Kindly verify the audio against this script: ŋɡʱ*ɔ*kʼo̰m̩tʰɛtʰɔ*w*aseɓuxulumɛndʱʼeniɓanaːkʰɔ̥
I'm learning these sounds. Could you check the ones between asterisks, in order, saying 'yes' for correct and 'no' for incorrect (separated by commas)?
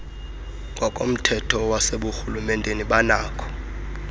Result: yes, yes